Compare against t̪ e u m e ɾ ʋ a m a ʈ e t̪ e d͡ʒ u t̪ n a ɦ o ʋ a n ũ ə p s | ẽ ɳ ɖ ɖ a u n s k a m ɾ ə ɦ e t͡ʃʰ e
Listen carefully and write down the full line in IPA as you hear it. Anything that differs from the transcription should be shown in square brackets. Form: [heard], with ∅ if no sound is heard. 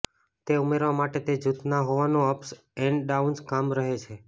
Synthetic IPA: t̪ e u m e ɾ ʋ a m a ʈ e t̪ e d͡ʒ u t̪ n a ɦ o ʋ a n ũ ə p s | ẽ ɳ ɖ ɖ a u n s k a m ɾ ə ɦ e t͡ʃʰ e